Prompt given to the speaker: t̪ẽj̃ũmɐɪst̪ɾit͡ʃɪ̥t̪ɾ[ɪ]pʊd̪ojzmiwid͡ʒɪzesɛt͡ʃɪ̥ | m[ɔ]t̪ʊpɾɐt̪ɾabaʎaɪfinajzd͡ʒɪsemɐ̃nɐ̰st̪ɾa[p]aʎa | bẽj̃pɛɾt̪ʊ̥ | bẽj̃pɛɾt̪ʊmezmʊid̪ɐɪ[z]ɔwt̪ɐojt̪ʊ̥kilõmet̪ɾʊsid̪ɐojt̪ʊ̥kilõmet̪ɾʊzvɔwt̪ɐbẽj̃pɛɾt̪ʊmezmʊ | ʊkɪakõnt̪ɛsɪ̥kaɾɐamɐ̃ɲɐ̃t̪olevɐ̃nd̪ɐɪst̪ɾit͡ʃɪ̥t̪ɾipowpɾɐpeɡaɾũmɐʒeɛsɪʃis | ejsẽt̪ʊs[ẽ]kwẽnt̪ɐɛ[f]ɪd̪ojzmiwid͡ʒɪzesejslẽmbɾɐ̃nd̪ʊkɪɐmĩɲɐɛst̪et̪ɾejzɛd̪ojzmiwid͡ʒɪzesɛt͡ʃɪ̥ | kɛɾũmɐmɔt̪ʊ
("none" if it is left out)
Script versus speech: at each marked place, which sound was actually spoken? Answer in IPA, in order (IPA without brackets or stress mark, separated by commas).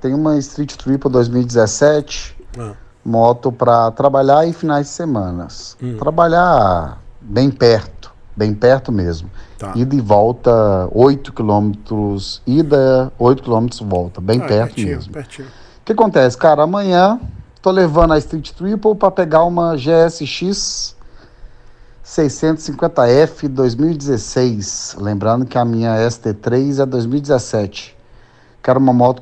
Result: i, ɔ, b, v, ĩ, f